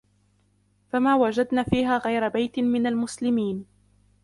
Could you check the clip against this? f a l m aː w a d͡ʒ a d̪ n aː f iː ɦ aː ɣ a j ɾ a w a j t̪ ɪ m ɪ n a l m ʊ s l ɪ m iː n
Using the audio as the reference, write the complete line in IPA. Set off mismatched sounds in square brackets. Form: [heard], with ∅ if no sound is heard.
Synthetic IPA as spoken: f a [∅] m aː w a d͡ʒ a d̪ n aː f iː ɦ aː ɣ a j ɾ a [b] a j t̪ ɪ m ɪ n a l m ʊ s l ɪ m iː n